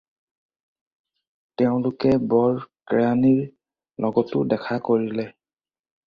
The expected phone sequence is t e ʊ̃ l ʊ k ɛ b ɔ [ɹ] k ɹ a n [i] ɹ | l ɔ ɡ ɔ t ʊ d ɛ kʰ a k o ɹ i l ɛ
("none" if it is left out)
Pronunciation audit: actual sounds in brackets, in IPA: ɹ, i

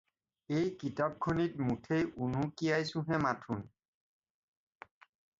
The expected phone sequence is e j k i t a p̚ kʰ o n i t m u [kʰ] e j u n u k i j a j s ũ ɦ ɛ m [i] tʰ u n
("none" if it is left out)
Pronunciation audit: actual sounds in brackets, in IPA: tʰ, a

